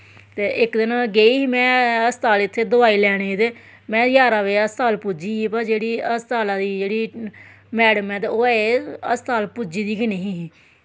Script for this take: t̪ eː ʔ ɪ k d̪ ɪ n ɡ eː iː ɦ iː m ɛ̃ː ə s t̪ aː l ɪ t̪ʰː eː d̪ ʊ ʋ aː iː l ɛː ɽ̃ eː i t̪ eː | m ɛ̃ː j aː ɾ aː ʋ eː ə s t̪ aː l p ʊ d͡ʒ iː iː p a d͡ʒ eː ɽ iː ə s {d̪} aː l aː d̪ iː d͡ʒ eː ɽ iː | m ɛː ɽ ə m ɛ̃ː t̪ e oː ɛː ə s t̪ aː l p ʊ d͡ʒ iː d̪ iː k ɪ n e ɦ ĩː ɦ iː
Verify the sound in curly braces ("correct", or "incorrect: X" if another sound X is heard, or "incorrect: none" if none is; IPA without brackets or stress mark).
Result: incorrect: t̪